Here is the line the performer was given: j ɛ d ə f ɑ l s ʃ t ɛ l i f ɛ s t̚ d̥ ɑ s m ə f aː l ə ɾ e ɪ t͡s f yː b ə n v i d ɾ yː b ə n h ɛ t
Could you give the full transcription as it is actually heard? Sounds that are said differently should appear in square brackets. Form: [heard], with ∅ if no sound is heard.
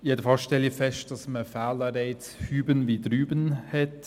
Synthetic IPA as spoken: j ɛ d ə f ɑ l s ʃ t ɛ l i f ɛ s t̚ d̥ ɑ s m ə f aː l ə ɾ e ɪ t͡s [h] yː b ə n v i d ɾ yː b ə n h ɛ t